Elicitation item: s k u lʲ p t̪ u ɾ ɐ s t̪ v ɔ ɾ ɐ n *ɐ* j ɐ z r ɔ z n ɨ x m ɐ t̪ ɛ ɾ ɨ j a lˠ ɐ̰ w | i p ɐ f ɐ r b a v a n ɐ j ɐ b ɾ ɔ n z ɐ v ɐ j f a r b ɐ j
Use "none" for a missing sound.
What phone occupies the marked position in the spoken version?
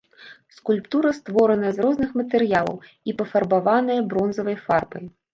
ɐ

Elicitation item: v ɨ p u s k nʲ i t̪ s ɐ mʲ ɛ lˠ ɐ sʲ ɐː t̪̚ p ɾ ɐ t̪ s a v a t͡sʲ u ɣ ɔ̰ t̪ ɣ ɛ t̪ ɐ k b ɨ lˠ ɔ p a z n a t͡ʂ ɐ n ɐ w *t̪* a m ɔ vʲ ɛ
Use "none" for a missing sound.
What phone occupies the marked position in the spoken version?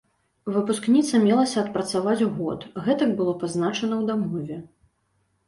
d̪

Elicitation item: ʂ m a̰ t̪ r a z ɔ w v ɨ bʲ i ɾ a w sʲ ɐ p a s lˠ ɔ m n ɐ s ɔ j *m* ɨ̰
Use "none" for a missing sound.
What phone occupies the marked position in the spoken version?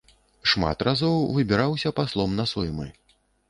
m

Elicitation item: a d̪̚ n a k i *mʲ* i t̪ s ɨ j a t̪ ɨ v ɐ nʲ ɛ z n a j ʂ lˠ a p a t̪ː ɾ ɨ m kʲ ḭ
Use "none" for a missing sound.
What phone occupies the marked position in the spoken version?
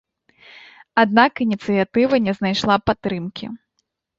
nʲ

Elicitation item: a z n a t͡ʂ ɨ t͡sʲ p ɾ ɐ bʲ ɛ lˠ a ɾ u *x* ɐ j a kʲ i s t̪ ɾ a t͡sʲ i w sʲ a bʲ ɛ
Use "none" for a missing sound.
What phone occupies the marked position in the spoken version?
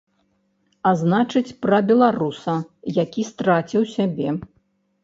s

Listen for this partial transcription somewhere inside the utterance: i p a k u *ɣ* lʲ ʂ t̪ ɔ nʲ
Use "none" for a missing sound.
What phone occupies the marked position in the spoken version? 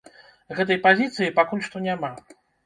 none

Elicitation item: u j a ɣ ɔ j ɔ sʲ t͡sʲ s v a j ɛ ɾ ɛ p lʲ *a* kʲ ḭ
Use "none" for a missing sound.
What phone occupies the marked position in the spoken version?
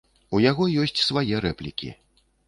i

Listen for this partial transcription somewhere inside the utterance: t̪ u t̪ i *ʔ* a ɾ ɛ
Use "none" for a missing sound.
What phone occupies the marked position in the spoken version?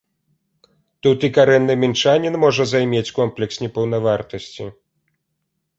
k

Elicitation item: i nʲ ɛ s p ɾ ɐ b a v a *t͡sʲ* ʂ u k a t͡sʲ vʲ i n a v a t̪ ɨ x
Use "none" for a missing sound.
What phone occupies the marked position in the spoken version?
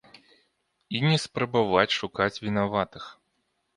t͡sʲ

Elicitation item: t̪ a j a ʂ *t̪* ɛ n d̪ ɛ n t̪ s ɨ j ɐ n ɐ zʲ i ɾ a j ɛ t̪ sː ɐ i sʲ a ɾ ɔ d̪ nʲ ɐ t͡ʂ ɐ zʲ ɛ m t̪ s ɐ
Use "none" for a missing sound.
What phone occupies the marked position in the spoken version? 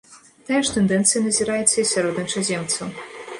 t̪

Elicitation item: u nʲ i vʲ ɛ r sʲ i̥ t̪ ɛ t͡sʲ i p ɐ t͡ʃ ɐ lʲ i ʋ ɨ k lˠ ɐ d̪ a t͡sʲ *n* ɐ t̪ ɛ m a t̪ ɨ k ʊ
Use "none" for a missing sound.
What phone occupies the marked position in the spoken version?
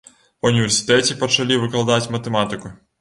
m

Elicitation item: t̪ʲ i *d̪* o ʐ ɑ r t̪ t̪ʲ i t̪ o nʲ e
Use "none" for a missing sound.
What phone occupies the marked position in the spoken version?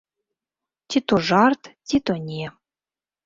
t̪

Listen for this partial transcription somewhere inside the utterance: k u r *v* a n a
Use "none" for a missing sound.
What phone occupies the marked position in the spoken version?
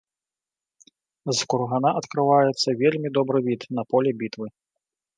ɣ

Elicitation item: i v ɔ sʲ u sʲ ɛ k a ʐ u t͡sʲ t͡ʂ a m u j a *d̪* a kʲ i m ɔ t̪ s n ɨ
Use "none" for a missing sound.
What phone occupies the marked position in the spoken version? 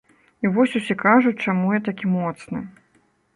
t̪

